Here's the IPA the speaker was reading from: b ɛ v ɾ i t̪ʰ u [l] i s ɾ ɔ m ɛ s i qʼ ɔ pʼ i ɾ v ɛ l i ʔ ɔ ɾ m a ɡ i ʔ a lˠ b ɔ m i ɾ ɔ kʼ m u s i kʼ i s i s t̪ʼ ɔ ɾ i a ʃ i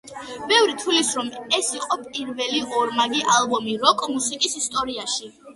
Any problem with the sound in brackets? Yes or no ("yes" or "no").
no